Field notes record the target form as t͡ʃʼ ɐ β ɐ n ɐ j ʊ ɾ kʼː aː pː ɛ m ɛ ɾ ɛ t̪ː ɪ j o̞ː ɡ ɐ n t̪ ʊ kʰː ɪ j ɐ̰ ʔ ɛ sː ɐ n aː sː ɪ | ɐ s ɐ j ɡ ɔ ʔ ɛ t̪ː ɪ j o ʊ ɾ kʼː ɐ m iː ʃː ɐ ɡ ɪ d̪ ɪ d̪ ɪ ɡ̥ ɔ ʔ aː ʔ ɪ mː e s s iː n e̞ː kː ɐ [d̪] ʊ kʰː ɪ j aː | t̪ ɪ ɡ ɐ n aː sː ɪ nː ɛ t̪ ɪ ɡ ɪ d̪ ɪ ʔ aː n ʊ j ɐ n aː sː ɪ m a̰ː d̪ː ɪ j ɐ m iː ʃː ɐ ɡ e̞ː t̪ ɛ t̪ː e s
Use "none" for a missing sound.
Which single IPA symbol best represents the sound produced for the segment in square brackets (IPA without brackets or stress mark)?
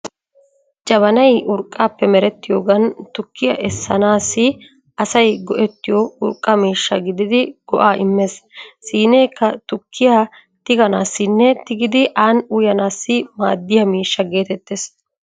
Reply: t̪